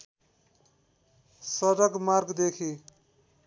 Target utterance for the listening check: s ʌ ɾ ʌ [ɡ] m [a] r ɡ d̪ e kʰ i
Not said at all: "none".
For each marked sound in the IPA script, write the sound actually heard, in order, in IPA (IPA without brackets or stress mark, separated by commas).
ɡ, a